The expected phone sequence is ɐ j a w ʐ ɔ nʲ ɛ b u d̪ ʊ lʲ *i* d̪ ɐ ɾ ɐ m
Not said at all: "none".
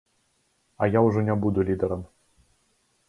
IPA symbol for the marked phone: i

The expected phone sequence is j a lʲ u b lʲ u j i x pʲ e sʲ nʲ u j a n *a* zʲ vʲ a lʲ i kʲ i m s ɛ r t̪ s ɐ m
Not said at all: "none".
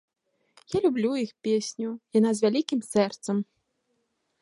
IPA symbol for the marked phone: a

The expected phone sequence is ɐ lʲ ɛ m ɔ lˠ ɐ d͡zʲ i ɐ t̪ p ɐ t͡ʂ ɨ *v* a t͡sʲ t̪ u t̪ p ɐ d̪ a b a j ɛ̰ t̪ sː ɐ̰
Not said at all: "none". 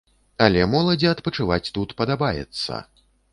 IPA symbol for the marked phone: v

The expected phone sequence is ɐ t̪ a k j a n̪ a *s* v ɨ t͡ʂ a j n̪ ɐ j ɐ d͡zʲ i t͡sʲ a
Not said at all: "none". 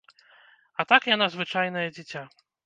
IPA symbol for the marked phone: z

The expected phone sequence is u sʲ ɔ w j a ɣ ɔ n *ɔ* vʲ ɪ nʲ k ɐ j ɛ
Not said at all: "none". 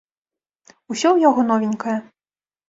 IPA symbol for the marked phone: ɔ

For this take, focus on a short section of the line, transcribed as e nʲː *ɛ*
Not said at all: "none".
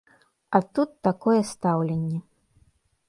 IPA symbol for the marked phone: ɛ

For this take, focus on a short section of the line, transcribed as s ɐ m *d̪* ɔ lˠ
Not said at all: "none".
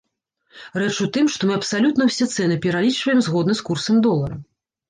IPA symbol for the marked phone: d̪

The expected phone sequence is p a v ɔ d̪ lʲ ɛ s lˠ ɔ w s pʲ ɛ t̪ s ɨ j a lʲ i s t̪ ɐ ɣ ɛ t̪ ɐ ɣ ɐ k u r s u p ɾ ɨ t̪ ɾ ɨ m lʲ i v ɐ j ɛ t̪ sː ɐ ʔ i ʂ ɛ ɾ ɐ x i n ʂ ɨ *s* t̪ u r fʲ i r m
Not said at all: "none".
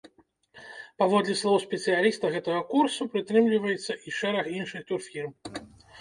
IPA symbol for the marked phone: x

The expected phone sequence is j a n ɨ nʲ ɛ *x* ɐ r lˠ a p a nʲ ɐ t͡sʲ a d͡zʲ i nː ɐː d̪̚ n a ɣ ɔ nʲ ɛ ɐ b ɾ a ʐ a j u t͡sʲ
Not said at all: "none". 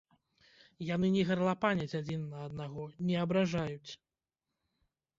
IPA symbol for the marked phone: ɣ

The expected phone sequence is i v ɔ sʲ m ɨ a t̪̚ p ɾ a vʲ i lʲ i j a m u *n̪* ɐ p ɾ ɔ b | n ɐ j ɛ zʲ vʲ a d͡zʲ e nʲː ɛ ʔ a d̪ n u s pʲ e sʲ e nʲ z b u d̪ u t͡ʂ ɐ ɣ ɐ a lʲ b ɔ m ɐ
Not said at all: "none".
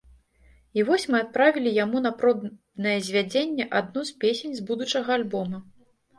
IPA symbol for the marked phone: n̪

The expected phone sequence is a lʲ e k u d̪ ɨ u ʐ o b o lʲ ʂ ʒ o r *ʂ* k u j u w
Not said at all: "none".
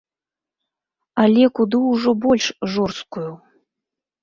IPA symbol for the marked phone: s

